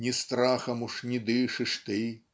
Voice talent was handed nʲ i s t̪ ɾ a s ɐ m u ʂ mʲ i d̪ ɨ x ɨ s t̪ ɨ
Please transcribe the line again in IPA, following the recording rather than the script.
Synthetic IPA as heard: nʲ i s t̪ ɾ a x ɐ m u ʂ nʲ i d̪ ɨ ʂ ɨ ʂ t̪ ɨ